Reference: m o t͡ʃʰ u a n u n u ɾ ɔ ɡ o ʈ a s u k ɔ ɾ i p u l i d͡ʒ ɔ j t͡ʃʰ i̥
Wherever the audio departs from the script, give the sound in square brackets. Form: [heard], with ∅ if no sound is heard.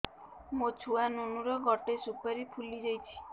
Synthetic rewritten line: m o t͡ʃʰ u a n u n u ɾ ɔ ɡ [ɔ] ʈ [e] s u [p] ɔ ɾ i [pʰ] u l i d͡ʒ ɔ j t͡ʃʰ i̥